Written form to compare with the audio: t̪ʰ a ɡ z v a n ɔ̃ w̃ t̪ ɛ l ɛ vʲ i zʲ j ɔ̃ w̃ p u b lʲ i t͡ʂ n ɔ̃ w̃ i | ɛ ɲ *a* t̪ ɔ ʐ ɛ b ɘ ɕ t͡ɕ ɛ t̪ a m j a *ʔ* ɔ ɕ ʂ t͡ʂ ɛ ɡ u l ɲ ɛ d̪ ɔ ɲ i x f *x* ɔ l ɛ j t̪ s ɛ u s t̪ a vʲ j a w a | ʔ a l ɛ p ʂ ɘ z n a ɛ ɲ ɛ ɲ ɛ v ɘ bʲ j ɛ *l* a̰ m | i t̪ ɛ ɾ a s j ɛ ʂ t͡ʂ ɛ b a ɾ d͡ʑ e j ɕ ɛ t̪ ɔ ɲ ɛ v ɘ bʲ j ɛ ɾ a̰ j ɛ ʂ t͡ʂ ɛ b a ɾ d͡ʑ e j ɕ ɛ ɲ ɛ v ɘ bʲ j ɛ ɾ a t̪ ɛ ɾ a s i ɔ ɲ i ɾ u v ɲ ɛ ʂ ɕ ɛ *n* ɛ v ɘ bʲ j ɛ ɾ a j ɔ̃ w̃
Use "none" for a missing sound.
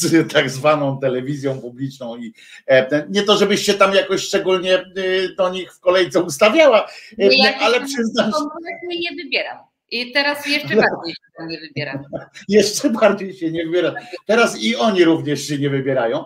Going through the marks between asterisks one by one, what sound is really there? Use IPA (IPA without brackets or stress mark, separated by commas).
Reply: ɛ, k, k, ɾ, ɲ